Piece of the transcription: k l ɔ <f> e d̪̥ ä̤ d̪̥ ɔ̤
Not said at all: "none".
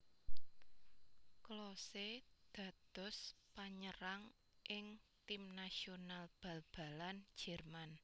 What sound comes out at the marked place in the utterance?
s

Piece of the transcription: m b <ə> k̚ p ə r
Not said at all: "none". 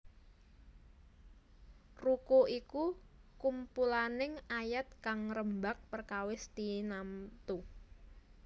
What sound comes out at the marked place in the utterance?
a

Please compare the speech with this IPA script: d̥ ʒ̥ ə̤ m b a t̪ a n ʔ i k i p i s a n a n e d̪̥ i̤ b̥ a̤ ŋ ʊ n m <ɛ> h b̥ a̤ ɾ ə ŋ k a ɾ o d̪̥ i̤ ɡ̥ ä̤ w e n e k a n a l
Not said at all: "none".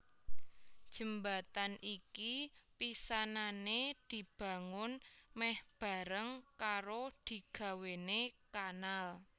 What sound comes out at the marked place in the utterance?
ɛ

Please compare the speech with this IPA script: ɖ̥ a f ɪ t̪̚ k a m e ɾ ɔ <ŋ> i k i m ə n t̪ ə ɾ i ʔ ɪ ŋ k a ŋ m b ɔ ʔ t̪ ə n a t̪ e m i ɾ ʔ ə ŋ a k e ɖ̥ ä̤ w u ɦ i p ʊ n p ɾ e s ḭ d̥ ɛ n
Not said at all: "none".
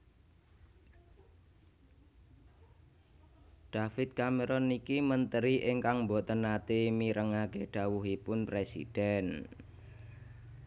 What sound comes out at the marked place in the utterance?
n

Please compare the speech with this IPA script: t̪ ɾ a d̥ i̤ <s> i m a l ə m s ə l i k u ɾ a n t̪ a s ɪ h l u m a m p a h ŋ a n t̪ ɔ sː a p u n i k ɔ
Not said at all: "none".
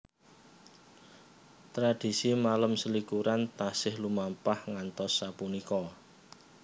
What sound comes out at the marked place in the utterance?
s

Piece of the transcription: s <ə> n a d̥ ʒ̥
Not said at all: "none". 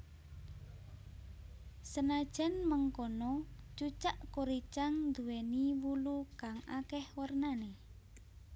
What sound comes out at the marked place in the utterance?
ə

